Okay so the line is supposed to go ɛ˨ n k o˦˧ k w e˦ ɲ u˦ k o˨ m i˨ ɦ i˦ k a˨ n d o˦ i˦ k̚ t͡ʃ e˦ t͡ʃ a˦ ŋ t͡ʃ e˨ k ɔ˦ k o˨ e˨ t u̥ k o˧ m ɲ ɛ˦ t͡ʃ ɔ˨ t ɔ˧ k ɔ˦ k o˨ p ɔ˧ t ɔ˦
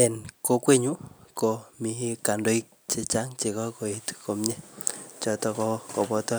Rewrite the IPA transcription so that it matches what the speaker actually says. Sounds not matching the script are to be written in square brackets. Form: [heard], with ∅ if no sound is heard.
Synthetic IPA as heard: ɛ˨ n k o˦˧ k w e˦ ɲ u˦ k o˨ m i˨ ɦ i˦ k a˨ n d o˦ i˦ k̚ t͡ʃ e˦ t͡ʃ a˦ ŋ t͡ʃ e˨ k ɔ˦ k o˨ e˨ t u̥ k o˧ m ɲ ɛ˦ t͡ʃ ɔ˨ t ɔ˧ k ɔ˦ k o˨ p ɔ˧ t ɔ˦